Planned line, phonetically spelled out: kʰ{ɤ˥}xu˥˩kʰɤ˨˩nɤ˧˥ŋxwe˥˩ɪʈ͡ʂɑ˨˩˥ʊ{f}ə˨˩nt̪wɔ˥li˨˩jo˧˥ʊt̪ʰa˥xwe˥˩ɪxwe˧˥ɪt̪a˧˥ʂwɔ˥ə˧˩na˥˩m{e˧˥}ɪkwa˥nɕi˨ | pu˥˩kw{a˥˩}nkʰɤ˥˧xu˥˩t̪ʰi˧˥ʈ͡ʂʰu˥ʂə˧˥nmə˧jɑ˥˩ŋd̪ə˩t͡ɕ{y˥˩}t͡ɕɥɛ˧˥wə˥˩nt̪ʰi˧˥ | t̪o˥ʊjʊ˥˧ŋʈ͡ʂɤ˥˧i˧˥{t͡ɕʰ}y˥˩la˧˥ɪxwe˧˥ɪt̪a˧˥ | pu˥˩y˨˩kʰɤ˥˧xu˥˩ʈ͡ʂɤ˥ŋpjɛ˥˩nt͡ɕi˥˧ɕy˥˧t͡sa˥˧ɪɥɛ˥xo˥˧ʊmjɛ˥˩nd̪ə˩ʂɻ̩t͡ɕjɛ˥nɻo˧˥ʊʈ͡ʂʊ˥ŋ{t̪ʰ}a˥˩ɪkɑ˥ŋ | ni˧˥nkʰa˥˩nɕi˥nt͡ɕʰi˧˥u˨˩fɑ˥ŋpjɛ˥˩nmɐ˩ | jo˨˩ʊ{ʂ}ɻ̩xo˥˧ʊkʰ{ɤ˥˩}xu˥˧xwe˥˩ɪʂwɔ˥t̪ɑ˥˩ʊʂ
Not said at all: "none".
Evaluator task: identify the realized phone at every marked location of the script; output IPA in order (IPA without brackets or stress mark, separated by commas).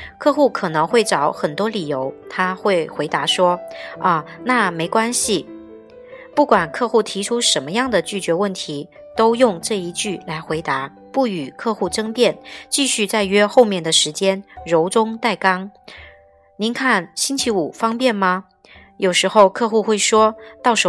ɤ˥˧, x, e˧˥, a˨˩, y˥˩, t͡ɕ, t̪, ʂ, ɤ˥˧